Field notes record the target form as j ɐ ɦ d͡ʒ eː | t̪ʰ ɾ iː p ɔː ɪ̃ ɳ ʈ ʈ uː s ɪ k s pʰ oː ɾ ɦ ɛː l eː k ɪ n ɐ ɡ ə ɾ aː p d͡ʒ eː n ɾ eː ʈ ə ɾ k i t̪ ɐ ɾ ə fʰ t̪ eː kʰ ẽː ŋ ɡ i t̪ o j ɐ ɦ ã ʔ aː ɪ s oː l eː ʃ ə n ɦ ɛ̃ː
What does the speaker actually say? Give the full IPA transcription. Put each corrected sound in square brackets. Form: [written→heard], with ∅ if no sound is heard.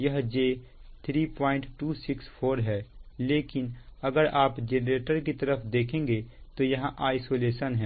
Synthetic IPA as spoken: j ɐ ɦ d͡ʒ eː | t̪ʰ ɾ iː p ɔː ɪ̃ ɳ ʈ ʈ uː s ɪ k s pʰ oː ɾ ɦ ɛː l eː k ɪ n ɐ ɡ ə ɾ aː p d͡ʒ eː n ɾ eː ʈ ə ɾ k i t̪ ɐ ɾ ə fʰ [t̪→d̪] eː kʰ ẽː ŋ ɡ [i→e] t̪ o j ɐ ɦ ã ʔ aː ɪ s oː l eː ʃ ə n ɦ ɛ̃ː